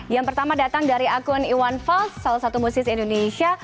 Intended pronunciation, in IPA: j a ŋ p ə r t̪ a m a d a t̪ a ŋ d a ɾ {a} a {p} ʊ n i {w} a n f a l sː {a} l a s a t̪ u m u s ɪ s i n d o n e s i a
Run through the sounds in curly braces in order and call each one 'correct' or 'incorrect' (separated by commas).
incorrect, incorrect, correct, correct